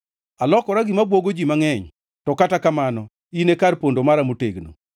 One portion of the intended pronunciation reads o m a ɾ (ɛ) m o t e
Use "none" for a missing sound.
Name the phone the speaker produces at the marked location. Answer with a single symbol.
a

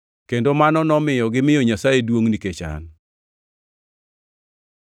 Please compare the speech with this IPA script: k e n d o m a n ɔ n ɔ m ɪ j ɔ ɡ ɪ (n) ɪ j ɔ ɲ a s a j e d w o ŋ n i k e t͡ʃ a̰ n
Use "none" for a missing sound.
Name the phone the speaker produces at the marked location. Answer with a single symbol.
m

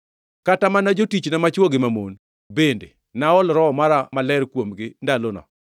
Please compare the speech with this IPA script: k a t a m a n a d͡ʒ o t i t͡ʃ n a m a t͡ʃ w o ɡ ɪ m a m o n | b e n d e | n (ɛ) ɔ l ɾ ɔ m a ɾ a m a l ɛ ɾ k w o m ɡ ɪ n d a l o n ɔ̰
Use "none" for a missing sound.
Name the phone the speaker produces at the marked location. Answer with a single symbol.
a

